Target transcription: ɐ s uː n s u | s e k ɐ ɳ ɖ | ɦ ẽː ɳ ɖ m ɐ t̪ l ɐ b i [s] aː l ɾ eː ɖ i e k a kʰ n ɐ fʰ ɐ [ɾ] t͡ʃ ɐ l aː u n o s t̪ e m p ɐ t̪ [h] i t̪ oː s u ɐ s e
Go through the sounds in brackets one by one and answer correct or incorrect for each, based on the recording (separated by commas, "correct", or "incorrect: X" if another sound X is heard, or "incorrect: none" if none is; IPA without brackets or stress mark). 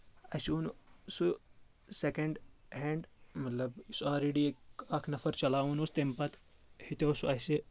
correct, correct, correct